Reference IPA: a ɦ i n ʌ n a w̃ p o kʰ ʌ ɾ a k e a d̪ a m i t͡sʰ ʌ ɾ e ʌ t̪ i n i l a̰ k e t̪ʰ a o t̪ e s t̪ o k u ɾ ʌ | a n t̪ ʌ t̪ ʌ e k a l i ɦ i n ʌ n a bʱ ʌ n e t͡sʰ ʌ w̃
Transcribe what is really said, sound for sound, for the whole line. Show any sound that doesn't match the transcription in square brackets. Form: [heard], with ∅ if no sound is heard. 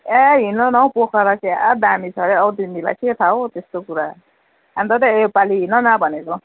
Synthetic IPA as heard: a ɦ i n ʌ n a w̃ p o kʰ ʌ ɾ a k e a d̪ a m i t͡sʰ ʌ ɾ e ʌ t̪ i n i l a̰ k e t̪ʰ a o t̪ e s t̪ o k u ɾ [a] | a n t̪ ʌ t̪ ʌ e [p] a l i ɦ i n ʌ n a bʱ ʌ n e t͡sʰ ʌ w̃